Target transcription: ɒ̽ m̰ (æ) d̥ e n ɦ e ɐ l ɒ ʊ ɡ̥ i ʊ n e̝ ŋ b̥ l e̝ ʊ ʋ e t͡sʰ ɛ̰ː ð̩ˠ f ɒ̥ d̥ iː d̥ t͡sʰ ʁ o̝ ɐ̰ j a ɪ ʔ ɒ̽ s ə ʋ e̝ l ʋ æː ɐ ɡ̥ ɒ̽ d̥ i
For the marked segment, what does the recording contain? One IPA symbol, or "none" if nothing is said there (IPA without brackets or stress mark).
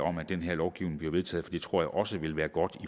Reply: æ